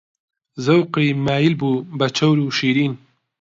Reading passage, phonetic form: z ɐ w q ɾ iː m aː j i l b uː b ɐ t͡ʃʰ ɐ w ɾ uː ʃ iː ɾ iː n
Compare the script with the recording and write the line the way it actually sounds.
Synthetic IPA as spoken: z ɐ w q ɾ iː m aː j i l b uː b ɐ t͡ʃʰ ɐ w ɾ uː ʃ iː ɾ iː n

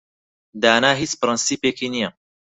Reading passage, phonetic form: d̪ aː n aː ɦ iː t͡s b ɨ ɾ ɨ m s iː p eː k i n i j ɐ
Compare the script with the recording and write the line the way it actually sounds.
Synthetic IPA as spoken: d̪ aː n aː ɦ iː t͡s p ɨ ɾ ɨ n s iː p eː k i n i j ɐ

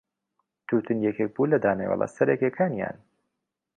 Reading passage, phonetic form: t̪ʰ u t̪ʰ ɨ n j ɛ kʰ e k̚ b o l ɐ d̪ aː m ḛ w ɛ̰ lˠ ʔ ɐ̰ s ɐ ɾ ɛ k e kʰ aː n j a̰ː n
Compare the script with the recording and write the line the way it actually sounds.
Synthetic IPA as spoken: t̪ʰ u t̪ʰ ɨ n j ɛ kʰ e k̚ b u l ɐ d̪ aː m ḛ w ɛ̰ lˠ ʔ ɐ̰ s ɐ ɾ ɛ k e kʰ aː n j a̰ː n

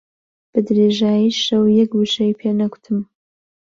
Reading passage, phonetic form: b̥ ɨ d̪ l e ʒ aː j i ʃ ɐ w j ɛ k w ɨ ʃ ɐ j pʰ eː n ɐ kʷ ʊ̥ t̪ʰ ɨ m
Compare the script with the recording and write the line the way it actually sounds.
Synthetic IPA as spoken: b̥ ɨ d̪ ɾ e ʒ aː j i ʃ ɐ w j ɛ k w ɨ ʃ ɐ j pʰ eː n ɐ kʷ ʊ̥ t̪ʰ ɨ m

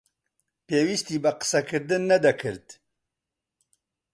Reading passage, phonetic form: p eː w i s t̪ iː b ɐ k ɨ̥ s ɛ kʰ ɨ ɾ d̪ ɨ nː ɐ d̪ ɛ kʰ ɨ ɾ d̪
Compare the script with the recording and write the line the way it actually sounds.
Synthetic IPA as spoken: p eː w i s t̪ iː b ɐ q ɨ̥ s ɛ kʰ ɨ ɾ d̪ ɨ nː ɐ d̪ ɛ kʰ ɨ ɾ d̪

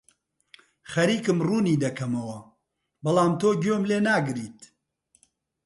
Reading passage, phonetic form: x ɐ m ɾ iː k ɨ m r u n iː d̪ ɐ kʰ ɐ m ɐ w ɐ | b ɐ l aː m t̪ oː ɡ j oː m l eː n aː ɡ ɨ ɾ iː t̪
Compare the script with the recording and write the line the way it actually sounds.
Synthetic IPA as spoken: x ɐ ɾ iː k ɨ m r uː n iː d̪ ɐ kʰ ɐ m ɐ w ɐ | b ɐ l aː m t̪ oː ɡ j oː m l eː n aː ɡ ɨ ɾ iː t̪

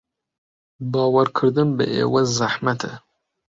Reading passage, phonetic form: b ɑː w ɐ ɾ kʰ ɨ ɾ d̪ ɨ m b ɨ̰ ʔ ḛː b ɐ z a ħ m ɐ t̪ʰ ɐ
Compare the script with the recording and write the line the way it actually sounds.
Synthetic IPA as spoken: b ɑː w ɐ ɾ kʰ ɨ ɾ d̪ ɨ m b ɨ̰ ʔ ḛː w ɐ z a ħ m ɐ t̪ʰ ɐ

